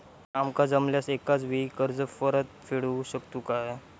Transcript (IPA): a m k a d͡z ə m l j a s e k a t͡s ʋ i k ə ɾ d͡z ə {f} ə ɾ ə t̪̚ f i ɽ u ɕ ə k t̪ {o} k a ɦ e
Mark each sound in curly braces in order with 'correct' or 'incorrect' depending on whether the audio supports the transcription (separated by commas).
correct, incorrect